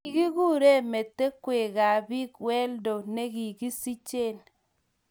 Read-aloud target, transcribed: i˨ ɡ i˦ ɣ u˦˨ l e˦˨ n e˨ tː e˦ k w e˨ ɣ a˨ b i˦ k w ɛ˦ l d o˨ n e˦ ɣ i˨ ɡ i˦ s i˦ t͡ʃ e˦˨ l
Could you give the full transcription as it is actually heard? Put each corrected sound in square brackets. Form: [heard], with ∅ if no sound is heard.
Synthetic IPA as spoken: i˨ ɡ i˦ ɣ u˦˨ [ɾ] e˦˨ [m] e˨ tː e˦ k w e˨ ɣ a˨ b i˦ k w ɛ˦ l d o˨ n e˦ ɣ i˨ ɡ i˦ s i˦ t͡ʃ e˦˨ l